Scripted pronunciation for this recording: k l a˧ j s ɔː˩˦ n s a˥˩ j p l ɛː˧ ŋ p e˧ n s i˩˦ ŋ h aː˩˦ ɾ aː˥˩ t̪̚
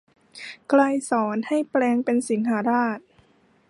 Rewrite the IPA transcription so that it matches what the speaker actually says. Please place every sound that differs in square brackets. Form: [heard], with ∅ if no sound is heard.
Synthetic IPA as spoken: k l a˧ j s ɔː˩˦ n [h] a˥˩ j p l ɛː˧ ŋ p e˧ n s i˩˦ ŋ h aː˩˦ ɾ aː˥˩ t̪̚